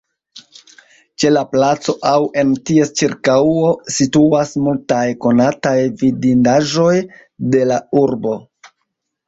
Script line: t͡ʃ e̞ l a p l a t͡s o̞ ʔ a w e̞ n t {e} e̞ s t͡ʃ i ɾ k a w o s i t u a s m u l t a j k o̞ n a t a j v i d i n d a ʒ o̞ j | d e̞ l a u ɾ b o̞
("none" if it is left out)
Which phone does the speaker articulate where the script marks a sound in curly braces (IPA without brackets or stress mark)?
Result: i